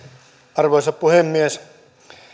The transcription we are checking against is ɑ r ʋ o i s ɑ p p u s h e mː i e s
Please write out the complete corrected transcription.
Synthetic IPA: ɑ r ʋ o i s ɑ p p u h e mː i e s